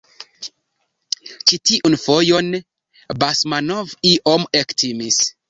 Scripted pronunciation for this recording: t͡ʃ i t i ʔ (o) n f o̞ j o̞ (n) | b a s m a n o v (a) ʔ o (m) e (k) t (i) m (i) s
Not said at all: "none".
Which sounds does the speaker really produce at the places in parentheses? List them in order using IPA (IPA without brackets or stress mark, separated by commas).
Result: u, n, i, m, k, i, i